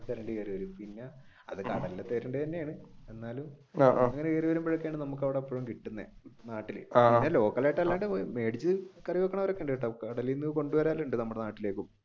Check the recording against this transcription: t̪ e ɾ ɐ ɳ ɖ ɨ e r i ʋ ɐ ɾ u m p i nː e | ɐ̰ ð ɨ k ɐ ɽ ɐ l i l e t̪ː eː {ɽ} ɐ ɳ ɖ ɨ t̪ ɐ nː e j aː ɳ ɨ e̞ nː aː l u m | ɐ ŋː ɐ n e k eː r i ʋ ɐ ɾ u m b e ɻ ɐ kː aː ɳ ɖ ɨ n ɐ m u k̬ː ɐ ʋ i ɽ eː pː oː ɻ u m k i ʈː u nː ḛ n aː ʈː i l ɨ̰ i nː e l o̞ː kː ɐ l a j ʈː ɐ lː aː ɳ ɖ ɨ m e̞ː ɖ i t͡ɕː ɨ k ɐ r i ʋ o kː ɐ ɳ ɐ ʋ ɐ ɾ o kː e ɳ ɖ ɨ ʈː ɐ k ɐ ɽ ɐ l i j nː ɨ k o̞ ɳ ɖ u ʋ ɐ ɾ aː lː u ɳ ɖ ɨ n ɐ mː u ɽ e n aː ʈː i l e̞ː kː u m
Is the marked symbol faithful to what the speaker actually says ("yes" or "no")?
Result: no